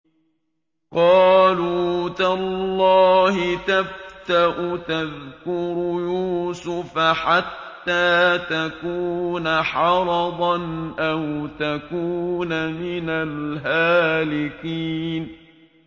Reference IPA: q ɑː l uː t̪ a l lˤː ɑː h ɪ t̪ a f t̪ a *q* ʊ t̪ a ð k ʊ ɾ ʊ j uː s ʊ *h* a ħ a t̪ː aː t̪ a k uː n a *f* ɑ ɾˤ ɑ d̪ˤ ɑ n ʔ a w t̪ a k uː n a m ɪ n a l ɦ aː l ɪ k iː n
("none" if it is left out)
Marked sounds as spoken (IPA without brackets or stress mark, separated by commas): ʔ, f, ħ